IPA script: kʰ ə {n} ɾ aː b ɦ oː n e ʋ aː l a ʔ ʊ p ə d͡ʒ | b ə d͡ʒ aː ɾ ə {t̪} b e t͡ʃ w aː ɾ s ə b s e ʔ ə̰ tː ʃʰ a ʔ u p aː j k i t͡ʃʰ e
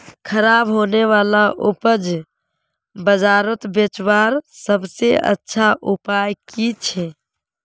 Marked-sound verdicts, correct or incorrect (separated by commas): incorrect, correct